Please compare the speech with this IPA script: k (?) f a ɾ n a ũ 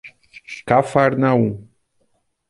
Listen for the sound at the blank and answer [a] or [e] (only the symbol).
a